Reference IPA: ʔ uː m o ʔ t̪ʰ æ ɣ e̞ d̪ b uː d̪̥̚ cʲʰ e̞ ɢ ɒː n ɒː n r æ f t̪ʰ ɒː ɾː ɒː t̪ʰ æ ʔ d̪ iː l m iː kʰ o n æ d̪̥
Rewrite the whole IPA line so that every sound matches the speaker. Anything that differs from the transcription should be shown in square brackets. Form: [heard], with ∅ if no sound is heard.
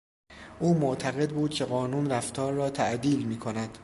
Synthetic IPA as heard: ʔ uː m o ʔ t̪ʰ æ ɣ e̞ d̪ b uː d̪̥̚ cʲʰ e̞ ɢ ɒː n [uː] n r æ f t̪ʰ ɒː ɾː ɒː t̪ʰ æ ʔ d̪ iː l m iː kʰ o n æ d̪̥